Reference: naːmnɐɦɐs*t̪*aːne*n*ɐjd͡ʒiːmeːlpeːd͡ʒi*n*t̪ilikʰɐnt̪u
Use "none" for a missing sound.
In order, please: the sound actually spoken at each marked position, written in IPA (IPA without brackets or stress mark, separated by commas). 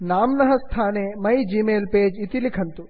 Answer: t̪ʰ, m, none